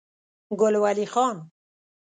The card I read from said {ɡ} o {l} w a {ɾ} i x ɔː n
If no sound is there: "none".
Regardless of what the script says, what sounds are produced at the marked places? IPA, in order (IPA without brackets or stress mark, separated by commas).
ɡ, l, l